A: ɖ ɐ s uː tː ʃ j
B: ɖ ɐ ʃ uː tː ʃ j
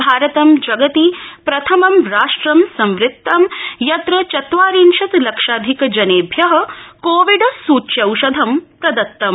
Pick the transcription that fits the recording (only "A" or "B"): A